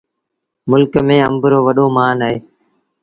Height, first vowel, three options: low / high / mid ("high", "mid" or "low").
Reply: high